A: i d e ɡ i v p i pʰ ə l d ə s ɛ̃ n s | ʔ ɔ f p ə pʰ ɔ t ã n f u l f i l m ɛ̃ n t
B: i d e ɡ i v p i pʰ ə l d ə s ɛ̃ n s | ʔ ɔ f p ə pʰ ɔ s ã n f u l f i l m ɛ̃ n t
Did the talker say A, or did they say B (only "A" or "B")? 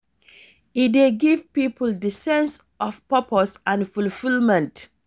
B